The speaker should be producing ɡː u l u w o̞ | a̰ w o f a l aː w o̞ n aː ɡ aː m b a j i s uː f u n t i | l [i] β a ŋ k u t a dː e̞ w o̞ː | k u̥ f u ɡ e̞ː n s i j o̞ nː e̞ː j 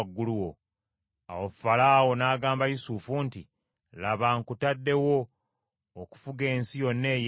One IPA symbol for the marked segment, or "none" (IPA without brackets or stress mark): a